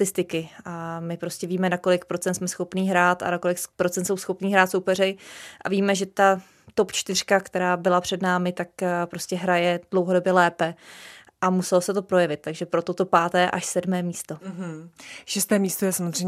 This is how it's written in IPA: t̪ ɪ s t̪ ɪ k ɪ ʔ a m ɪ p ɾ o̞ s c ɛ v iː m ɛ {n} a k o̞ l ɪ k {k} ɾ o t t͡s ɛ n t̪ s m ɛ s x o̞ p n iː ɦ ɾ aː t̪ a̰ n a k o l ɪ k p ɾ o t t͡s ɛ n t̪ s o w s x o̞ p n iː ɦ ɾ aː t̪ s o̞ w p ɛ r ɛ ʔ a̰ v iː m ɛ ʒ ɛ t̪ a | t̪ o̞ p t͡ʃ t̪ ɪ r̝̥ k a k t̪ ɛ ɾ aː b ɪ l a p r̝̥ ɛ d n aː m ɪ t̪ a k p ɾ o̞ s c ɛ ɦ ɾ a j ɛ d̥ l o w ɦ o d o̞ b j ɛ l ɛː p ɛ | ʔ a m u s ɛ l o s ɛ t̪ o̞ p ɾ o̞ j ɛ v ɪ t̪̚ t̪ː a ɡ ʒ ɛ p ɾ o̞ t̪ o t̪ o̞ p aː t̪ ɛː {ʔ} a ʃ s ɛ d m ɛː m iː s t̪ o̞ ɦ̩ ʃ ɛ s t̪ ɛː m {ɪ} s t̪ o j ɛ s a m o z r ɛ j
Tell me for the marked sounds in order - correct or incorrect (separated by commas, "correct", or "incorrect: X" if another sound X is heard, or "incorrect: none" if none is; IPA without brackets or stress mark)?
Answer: correct, incorrect: p, correct, incorrect: i